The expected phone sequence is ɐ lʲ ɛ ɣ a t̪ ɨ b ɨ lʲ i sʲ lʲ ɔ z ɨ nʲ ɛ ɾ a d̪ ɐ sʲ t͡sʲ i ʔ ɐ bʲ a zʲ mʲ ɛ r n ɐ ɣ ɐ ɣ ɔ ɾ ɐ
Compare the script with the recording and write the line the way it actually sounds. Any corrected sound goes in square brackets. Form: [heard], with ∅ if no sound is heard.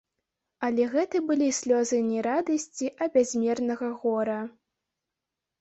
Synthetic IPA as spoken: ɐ lʲ ɛ ɣ [ɛ] t̪ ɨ b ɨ lʲ i sʲ lʲ ɔ z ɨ nʲ ɛ ɾ a d̪ ɐ sʲ t͡sʲ i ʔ ɐ bʲ a zʲ mʲ ɛ r n ɐ ɣ ɐ ɣ ɔ ɾ ɐ